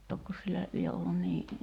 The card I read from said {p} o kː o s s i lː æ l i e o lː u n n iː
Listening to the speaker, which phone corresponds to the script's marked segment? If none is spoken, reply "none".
t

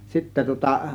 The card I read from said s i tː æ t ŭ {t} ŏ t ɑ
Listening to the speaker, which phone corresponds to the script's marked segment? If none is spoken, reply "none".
none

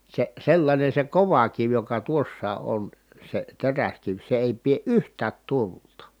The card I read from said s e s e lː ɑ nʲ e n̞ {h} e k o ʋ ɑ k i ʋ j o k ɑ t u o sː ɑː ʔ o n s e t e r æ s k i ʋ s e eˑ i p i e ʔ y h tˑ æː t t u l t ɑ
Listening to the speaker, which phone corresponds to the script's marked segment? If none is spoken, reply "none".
s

